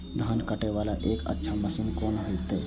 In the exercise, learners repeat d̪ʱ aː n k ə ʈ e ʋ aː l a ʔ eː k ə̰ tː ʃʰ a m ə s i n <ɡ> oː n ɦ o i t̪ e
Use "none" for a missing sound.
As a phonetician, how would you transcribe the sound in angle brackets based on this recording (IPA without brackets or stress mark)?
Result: k